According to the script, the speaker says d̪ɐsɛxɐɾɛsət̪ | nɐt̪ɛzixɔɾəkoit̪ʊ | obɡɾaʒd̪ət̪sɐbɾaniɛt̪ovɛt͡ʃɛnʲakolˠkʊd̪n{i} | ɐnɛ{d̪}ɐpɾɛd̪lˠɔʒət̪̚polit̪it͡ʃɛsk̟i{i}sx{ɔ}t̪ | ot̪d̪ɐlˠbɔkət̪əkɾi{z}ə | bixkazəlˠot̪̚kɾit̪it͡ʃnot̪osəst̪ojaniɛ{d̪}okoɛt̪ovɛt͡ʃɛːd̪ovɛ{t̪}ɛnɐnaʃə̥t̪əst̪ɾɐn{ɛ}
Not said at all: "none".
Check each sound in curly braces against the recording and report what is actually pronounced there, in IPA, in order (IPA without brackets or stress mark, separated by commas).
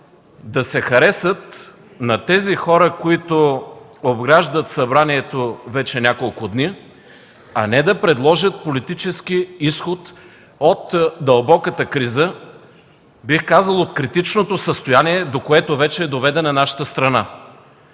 i, d̪, i, o, z, d̪, d̪, a